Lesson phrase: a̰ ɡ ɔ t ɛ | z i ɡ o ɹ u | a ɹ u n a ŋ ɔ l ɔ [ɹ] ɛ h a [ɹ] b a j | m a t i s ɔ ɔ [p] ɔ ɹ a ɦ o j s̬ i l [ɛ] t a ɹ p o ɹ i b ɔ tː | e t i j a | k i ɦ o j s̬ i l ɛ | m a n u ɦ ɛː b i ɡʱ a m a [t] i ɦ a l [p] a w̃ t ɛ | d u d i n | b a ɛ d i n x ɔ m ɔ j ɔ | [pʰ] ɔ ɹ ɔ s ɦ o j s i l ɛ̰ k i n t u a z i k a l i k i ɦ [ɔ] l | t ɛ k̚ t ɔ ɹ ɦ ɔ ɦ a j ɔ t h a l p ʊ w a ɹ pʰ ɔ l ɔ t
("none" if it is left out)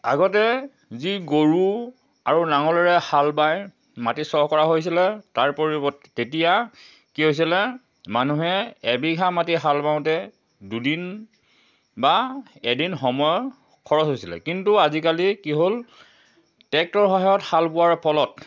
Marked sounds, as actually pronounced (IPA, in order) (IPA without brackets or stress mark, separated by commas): ɹ, l, k, ɛ, t, b, kʰ, o